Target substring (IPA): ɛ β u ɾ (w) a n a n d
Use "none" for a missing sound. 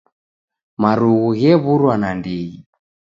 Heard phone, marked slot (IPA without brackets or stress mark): w